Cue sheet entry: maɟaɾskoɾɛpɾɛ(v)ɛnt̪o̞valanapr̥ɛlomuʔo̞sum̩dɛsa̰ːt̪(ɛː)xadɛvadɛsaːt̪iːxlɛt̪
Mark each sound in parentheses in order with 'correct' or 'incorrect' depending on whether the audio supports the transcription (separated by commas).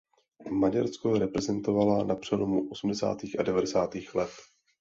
incorrect, incorrect